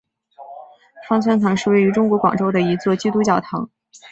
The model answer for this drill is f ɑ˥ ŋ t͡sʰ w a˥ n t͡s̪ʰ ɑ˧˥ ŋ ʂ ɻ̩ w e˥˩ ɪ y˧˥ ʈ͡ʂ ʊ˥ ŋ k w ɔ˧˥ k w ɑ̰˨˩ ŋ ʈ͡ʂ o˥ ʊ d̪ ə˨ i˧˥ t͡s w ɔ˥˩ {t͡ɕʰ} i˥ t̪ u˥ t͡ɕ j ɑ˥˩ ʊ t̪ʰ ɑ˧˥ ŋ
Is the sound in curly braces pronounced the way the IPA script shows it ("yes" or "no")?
no